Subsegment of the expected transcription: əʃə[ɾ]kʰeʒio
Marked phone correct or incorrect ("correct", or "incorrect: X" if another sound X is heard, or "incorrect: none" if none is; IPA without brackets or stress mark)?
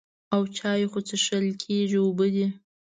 incorrect: l